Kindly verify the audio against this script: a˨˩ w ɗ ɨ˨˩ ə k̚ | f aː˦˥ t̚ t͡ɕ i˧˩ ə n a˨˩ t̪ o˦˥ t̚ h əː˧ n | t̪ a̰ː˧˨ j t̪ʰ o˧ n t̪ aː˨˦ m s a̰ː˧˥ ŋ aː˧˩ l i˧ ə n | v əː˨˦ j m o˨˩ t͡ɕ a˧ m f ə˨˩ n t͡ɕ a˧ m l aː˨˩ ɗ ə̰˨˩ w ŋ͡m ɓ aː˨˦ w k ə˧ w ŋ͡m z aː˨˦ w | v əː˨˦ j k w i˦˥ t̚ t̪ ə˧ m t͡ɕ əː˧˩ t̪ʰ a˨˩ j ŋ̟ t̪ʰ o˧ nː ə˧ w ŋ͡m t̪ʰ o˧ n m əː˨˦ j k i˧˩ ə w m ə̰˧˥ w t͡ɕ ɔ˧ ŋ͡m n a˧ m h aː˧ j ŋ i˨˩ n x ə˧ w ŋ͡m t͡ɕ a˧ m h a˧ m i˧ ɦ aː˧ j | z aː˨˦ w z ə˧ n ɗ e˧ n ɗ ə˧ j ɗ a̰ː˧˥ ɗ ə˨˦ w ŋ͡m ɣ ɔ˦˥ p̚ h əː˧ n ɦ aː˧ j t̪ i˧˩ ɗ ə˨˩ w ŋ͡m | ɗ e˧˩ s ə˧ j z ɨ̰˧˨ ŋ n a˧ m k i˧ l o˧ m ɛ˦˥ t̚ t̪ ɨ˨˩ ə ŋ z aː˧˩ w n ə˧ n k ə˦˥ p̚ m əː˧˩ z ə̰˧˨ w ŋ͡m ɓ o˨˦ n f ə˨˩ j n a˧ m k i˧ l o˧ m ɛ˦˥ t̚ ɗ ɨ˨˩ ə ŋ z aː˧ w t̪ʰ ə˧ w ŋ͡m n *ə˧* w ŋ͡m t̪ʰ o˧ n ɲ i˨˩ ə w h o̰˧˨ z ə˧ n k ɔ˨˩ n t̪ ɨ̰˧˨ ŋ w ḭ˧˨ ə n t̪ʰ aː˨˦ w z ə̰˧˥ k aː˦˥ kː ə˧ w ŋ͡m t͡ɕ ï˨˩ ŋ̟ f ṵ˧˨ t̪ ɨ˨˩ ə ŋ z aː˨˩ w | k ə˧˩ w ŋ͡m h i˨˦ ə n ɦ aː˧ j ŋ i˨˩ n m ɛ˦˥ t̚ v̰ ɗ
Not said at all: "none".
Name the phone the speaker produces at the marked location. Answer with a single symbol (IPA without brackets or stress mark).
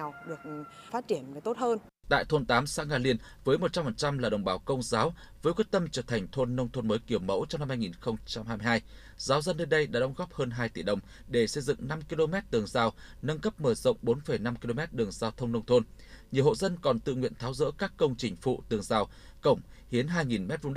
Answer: ə˧